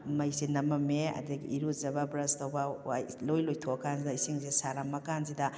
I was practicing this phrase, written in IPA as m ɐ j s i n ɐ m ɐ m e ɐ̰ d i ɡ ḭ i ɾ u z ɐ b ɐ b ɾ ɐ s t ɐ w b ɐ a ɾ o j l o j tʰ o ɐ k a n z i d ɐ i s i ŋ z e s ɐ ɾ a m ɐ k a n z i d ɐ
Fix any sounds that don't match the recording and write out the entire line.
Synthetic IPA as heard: m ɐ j s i n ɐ m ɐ m e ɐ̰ d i ɡ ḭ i ɾ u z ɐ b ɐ b ɾ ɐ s t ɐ w b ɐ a l o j l o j tʰ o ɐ k a n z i d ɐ i s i ŋ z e s a ɾ a m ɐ k a n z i d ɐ